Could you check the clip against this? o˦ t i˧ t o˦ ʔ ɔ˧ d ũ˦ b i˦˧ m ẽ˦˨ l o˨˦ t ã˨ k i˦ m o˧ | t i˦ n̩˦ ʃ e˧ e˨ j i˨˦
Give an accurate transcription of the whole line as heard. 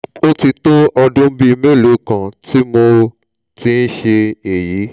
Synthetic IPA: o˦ t i˧ t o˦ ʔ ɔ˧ d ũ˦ b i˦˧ m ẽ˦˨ l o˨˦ k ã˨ t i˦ m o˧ | t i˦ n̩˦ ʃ e˧ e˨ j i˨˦